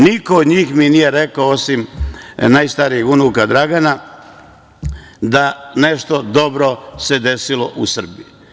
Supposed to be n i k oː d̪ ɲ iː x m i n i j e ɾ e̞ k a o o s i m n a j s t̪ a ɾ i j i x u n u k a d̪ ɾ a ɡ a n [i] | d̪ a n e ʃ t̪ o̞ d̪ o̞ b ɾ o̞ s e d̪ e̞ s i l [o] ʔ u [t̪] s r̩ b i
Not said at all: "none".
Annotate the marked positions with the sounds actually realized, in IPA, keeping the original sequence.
a, o, none

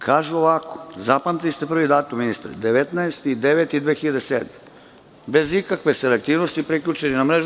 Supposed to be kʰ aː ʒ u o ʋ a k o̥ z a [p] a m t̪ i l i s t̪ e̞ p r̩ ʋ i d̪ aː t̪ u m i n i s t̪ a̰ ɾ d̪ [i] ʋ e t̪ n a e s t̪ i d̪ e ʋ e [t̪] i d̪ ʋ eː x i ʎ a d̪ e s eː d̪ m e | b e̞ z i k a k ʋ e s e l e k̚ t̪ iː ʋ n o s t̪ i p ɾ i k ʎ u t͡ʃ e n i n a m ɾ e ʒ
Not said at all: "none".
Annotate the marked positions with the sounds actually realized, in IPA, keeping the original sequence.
p, e, t̪

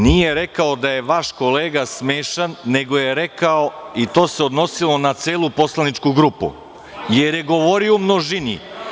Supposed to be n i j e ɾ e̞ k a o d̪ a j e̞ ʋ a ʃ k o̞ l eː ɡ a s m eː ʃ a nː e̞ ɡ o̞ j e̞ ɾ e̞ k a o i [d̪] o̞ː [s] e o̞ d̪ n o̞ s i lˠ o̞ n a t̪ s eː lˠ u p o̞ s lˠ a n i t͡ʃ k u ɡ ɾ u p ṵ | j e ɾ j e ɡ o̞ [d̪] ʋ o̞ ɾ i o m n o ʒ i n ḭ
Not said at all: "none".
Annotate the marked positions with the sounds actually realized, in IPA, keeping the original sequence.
t̪, s, none

